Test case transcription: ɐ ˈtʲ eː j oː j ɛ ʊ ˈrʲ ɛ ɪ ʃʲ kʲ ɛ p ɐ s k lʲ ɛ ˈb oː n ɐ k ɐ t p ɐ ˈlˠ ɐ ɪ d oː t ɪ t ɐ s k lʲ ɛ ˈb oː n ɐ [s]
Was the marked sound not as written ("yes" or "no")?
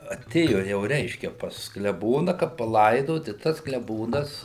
no